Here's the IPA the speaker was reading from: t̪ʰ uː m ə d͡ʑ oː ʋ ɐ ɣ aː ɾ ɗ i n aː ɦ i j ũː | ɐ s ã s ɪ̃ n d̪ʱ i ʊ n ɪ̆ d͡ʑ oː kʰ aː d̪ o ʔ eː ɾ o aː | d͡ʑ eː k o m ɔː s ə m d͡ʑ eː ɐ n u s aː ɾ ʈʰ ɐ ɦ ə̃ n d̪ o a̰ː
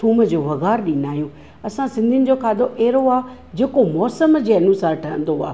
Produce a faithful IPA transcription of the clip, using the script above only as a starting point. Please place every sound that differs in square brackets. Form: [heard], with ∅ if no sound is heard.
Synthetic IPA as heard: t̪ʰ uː m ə d͡ʑ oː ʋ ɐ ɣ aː ɾ ɗ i n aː ɦ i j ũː | ɐ s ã s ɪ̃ n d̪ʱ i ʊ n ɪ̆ d͡ʑ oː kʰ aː d̪ o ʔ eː ɾ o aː | d͡ʑ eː k o m ɔː s ə m d͡ʑ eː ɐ n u s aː ɾ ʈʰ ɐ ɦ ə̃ n d̪ o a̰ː